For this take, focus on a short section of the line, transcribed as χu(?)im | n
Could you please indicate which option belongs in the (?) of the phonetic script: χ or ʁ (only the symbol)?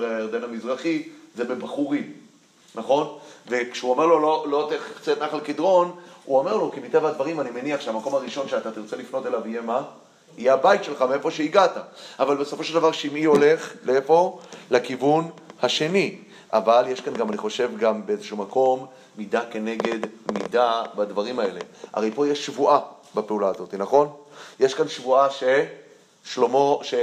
ʁ